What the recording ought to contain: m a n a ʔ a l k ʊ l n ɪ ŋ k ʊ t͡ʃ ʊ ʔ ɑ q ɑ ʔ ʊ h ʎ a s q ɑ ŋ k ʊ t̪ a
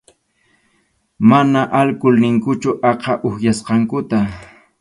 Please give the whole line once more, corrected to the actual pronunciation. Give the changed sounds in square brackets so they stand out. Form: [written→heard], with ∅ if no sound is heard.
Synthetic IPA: m a n a ʔ a l k ʊ l n ɪ ŋ k ʊ t͡ʃ ʊ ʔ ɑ q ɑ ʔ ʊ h [ʎ→j] a s q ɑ ŋ k ʊ t̪ a